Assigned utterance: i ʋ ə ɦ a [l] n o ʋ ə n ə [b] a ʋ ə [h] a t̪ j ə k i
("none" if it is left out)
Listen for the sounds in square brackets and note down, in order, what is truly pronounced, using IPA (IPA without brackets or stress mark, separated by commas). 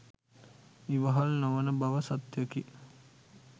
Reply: l, b, s